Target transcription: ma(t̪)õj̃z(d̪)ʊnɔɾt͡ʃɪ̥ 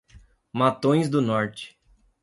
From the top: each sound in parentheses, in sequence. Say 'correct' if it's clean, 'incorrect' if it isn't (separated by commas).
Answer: correct, correct